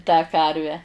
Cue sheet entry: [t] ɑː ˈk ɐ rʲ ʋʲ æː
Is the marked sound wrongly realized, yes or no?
no